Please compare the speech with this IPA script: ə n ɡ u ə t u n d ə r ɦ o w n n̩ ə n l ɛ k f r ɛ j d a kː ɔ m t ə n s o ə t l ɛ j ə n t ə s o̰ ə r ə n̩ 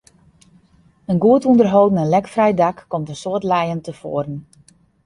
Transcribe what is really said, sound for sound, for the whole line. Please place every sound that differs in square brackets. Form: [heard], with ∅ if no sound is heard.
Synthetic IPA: ə n ɡ u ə t u n d ə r ɦ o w [d] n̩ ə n l ɛ k f r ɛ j d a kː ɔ m t ə n s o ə t l ɛ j ə n t ə [f] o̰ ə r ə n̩